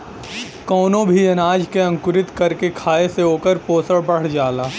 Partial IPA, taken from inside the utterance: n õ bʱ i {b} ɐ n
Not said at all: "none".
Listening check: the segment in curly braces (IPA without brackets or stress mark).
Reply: none